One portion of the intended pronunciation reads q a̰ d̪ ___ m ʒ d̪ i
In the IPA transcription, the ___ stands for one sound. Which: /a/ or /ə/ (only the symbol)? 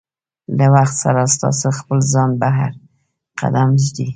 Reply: a